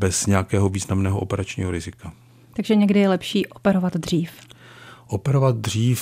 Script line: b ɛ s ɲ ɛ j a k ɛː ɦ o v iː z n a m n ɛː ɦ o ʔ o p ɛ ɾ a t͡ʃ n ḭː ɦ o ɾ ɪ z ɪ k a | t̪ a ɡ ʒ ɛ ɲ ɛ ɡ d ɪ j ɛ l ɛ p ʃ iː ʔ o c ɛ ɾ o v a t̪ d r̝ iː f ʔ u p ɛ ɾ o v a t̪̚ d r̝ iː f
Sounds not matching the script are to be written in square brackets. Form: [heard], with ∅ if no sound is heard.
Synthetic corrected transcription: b ɛ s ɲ ɛ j a k ɛː ɦ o v iː z n a m n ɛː ɦ o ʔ o p ɛ ɾ a t͡ʃ [ɲ] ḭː ɦ o ɾ ɪ z ɪ k a | t̪ a ɡ ʒ ɛ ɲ ɛ ɡ d ɪ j ɛ l ɛ p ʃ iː ʔ o [p] ɛ ɾ o v a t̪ d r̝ iː f ʔ [o] p ɛ ɾ o v a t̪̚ d r̝ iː f